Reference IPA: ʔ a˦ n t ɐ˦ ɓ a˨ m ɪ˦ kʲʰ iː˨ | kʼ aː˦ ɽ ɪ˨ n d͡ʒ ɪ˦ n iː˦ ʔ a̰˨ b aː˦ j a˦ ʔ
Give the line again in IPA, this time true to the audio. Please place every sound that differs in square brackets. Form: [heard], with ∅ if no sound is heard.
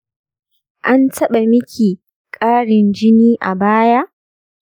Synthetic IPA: ʔ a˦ n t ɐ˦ ɓ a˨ m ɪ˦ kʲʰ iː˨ | kʼ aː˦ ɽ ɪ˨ n d͡ʒ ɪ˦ n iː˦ ʔ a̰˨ b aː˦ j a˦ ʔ